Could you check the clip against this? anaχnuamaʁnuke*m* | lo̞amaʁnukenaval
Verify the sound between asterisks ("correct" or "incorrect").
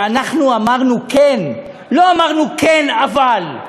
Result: incorrect